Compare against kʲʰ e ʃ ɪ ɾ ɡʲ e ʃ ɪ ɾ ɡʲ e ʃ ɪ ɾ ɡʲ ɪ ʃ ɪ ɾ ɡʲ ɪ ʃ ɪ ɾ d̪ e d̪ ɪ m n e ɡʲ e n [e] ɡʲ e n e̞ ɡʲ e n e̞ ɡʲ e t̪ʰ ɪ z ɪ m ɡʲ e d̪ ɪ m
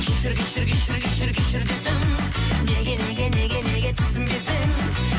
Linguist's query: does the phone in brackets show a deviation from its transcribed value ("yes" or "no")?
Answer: no